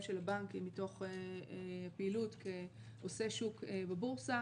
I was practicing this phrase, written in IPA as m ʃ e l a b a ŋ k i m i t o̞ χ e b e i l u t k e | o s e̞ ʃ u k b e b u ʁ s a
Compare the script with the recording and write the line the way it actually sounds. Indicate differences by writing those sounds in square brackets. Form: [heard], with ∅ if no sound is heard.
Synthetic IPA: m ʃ e l a b a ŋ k i m i t o̞ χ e [p] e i l u t k e | o s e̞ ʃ u k b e b u ʁ s a